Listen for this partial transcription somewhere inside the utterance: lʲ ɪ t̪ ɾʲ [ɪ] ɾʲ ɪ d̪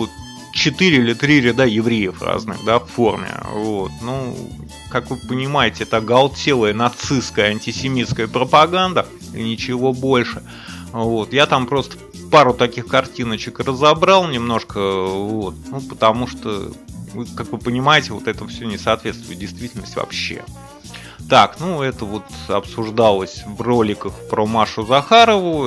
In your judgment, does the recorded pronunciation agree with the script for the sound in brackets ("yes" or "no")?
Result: no